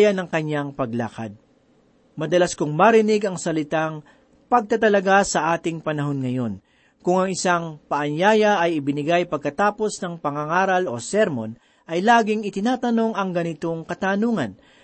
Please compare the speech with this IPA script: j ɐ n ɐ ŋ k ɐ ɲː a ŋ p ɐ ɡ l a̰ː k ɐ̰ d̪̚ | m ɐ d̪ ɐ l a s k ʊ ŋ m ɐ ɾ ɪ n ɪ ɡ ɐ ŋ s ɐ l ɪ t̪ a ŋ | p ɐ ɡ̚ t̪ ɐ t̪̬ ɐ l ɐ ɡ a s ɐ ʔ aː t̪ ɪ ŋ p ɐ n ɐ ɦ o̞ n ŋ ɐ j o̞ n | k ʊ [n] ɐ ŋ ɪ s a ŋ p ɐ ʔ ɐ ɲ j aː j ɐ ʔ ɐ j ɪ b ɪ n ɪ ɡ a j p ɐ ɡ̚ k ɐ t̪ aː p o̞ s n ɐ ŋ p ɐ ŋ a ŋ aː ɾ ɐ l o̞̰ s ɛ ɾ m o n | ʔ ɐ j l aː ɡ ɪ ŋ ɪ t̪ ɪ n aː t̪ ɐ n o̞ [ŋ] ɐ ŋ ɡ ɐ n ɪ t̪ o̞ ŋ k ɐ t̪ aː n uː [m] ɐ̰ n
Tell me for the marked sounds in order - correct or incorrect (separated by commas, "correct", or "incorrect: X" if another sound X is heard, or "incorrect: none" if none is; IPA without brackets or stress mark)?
incorrect: ŋ, correct, incorrect: ŋ